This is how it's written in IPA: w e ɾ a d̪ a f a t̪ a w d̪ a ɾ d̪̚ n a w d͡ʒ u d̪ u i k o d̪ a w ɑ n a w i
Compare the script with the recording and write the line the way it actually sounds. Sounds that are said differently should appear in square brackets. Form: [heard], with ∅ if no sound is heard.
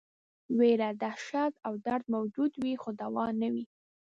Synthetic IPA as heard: w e ɾ a d̪ a [ʃ] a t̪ a w d̪ a ɾ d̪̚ [m] a w d͡ʒ u d̪ [w] i [x] o d̪ a w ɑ n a w i